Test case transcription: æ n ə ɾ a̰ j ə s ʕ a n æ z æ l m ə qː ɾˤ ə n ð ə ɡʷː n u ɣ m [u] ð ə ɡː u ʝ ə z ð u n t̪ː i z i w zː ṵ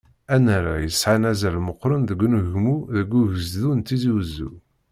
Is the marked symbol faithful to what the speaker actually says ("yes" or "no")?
yes